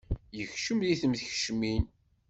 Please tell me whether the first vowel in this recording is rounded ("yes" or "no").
no